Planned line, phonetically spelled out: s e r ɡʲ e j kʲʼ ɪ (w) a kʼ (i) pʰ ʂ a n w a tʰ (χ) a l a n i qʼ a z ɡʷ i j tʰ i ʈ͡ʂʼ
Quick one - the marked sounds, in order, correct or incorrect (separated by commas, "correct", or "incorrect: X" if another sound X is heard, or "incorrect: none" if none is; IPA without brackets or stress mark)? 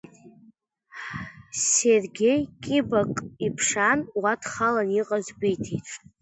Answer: incorrect: b, correct, correct